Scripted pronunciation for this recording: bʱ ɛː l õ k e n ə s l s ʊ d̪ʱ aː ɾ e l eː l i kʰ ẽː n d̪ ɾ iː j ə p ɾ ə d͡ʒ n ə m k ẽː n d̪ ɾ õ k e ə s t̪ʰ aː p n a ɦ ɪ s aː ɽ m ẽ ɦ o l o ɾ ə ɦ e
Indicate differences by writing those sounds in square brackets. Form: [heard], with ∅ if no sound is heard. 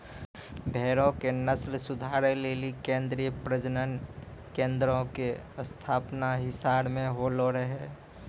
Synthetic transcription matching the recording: bʱ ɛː [ɾ] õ k e n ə s l s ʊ d̪ʱ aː ɾ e l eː l i [k] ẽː n d̪ ɾ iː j ə p ɾ ə d͡ʒ n ə [n] k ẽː n d̪ ɾ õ k e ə s t̪ʰ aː p n a ɦ ɪ s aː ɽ m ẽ ɦ o l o ɾ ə ɦ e